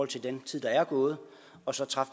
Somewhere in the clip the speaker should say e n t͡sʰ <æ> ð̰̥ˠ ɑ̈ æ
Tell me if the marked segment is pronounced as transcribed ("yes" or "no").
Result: no